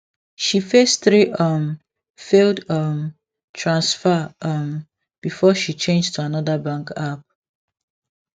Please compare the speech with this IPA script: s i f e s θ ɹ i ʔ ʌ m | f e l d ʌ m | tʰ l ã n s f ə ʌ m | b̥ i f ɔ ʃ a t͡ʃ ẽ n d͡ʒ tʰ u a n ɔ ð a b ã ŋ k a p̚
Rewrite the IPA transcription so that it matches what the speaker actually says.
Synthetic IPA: ʃ i f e s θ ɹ i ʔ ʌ m | f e l d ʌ m | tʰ ɹ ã n s f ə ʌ m | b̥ i f ɔ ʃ i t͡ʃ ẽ n d͡ʒ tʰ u a n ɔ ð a b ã ŋ k a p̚